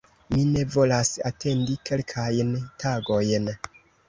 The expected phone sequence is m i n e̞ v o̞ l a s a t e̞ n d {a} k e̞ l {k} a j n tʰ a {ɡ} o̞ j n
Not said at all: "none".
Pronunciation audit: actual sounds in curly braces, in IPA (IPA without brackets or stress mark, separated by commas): i, kʰ, ɡ